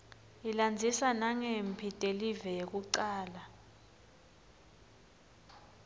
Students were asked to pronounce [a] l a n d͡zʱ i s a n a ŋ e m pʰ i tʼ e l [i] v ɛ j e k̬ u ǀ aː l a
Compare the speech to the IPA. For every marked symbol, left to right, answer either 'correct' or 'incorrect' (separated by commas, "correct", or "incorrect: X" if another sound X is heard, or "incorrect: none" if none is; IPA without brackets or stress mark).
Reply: incorrect: i, correct